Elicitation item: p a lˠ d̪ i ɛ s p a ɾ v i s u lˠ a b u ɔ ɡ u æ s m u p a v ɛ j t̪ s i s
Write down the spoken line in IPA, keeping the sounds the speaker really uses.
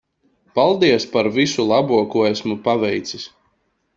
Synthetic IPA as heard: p a lˠ d̪ i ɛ s p a ɾ v i s u lˠ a b u ɔ k u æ s m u p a v ɛ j t̪ s i s